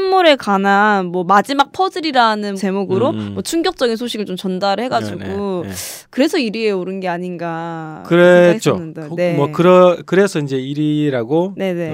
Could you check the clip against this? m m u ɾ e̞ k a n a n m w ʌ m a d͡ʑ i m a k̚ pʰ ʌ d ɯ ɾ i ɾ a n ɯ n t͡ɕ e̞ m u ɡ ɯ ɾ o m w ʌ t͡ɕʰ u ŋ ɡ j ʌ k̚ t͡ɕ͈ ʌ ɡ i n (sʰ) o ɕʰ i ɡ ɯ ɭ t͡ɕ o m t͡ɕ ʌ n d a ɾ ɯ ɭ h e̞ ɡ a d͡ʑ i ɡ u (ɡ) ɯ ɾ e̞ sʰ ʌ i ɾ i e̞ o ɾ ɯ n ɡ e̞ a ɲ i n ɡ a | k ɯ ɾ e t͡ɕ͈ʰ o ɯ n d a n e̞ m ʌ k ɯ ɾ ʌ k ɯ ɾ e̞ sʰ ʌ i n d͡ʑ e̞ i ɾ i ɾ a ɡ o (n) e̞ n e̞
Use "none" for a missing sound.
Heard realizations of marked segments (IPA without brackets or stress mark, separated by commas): sʰ, k, n